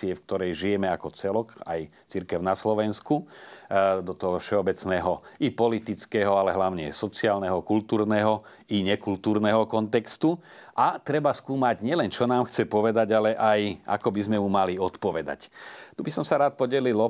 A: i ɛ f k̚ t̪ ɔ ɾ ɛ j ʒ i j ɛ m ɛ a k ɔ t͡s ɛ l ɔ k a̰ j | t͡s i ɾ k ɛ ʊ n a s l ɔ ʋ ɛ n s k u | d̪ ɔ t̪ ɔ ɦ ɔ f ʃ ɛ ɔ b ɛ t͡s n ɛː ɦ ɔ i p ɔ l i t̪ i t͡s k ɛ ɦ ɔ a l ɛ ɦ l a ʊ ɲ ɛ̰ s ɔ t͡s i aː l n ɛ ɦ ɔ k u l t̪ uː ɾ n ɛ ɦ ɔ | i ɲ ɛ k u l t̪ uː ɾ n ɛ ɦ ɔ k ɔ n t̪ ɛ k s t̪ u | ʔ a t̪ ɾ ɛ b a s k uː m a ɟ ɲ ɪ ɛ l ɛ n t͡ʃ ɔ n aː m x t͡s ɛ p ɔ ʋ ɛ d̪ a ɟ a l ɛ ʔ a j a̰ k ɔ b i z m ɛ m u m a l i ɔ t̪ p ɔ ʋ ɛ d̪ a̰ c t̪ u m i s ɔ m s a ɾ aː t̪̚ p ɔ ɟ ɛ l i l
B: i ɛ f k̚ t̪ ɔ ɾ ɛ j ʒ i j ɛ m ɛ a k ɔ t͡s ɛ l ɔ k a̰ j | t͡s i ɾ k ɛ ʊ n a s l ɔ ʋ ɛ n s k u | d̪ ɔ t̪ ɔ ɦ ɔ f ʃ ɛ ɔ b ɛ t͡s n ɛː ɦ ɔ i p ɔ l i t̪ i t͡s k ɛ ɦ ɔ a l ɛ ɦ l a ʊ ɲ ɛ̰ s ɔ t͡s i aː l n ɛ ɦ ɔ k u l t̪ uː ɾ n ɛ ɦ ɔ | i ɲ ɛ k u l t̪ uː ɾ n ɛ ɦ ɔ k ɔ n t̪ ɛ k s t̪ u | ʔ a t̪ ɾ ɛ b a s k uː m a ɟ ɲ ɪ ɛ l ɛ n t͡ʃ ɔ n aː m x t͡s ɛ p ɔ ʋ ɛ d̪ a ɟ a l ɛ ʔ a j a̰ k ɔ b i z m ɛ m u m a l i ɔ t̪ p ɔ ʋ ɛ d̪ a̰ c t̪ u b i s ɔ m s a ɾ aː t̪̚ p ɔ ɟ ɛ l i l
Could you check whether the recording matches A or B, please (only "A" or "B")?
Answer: B